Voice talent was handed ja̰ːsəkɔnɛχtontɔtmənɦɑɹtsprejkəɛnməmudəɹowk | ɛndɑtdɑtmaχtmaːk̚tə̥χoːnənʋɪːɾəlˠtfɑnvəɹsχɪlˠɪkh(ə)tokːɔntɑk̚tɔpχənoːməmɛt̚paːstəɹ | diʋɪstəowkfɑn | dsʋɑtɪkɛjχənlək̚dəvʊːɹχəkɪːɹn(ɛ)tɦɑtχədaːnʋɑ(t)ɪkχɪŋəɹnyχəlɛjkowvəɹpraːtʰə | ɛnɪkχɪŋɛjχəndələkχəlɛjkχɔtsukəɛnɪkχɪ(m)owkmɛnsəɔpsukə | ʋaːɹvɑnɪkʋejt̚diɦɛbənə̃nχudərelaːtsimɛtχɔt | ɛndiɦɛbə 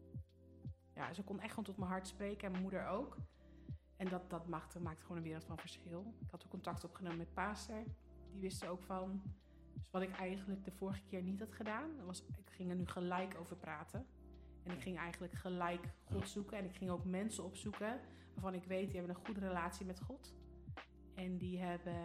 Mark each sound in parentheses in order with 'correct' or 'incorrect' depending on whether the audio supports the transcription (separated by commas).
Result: incorrect, incorrect, incorrect, incorrect